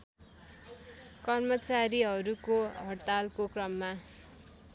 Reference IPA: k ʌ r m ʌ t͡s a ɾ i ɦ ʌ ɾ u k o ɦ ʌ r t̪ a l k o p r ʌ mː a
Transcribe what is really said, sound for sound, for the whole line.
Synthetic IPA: k ʌ r m ʌ t͡s a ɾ i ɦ ʌ ɾ u k o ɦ ʌ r t̪ a l k o k r ʌ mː a